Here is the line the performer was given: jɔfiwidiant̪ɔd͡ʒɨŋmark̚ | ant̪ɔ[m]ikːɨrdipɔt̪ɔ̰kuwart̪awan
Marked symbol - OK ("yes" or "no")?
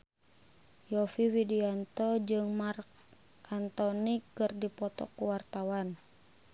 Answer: no